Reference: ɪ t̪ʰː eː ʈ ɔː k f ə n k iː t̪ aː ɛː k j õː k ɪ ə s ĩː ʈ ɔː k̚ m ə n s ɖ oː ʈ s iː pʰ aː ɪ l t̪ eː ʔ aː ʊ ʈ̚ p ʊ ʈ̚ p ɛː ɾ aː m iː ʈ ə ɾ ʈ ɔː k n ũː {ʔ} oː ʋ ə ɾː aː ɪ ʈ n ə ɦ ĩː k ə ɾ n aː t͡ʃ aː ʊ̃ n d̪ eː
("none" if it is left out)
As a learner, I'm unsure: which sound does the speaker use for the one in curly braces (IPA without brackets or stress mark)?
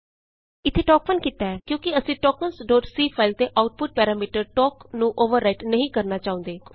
ʔ